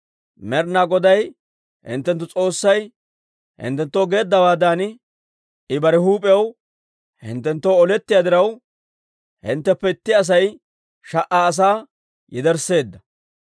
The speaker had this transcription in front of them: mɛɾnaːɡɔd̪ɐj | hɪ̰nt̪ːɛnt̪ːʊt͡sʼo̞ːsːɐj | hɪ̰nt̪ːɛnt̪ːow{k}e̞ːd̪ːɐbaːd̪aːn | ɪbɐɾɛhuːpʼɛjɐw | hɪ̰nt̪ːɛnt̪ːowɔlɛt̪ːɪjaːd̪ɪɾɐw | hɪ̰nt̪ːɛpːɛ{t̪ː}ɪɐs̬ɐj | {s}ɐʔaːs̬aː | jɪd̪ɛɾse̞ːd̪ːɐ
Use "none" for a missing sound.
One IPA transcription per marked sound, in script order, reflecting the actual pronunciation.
ɡ, t̪ː, ʃ

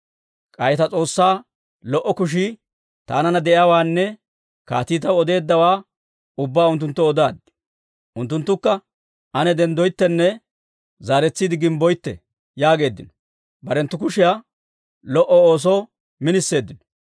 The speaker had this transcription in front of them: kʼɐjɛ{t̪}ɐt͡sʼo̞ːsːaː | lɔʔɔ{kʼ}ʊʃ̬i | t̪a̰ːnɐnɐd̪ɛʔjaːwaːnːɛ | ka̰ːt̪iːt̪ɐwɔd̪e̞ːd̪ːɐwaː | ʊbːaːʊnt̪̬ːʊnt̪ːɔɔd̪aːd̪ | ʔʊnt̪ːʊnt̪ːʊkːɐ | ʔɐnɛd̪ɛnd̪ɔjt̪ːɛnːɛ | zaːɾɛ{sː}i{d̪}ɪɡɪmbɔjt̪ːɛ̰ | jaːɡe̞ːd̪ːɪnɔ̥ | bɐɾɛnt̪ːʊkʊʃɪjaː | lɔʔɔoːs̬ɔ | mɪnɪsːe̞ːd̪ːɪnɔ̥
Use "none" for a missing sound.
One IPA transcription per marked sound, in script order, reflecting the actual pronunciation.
t̪, k, t͡sː, d̪

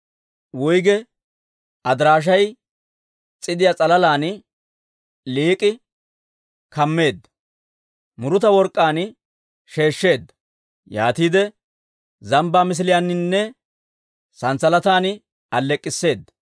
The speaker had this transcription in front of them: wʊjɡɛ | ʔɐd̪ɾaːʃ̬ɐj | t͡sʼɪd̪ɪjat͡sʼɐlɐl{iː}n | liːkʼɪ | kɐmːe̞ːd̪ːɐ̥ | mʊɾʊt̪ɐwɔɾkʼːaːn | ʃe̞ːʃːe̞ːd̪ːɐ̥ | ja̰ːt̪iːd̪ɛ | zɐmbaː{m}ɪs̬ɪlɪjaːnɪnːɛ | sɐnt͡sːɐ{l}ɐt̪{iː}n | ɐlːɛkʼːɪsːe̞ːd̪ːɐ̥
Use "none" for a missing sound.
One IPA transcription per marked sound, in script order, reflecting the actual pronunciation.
aː, m, l, aː

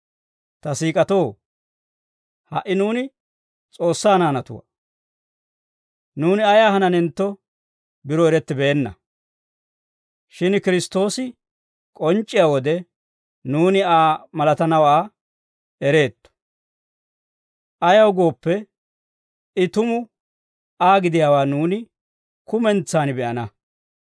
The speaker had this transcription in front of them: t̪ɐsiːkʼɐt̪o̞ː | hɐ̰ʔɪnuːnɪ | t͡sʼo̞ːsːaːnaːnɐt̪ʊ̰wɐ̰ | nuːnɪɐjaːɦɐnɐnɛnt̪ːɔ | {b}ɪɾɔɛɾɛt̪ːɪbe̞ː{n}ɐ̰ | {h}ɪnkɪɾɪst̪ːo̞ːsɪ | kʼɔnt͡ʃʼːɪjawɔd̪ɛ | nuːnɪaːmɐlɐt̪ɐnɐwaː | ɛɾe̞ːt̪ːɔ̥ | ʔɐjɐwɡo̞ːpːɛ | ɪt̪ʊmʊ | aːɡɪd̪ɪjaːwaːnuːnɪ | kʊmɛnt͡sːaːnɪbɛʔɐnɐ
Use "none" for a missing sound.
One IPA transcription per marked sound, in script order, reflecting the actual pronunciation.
b, nː, ʃ

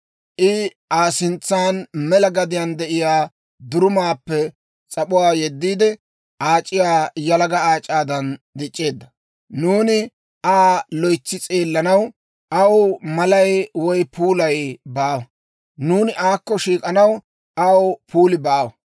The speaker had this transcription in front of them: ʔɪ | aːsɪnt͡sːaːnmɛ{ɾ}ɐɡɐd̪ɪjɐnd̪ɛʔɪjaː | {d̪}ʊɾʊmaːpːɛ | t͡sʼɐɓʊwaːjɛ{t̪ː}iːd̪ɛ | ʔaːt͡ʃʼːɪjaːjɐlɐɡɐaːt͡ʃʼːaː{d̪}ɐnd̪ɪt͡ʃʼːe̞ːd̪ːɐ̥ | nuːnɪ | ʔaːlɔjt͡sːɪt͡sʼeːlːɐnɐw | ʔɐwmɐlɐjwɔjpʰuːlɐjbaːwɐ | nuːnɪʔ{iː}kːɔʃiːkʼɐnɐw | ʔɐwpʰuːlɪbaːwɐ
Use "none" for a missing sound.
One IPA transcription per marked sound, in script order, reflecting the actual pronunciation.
l, d̪, d̪ː, d̪, aː

